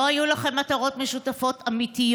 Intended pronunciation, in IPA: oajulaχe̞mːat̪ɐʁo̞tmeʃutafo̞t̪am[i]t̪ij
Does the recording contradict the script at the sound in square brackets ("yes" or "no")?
no